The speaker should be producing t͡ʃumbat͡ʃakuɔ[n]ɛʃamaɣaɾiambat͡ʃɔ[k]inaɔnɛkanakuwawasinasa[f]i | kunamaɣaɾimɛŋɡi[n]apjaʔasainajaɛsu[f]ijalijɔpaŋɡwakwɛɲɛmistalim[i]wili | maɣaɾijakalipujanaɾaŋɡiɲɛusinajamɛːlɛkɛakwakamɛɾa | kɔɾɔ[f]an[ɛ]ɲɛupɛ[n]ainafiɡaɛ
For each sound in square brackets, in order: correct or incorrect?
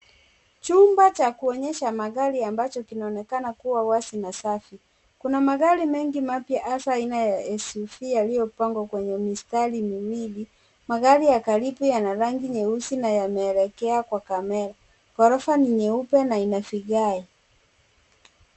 incorrect, correct, correct, incorrect, correct, correct, correct, incorrect, correct

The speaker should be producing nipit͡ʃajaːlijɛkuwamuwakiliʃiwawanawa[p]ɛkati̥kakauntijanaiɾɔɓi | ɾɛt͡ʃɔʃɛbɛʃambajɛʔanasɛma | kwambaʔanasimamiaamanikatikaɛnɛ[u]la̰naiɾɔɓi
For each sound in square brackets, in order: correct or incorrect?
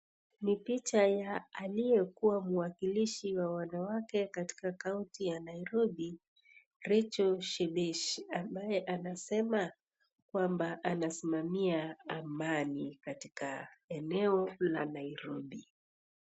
incorrect, incorrect

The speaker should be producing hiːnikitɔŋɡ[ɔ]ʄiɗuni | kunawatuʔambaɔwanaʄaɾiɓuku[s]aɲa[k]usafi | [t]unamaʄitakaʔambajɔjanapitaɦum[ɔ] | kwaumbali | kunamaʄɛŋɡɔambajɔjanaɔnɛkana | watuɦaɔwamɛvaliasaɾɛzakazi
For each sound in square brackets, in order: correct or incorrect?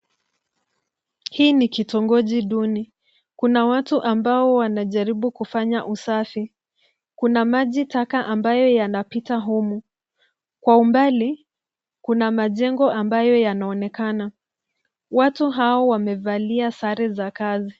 correct, incorrect, incorrect, incorrect, incorrect

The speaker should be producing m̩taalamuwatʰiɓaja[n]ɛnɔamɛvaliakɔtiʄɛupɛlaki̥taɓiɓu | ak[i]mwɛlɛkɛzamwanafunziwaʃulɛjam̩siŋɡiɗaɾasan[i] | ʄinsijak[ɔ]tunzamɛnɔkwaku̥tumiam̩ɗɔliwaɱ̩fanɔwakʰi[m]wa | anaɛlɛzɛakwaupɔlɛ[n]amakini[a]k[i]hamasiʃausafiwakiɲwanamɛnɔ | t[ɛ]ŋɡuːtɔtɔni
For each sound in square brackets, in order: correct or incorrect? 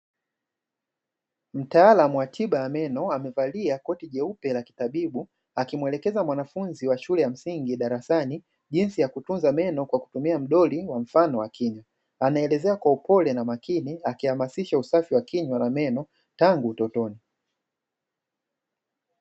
incorrect, correct, correct, incorrect, incorrect, correct, correct, correct, incorrect

